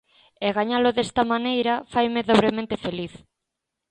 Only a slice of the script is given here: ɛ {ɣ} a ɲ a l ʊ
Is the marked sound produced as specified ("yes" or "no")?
yes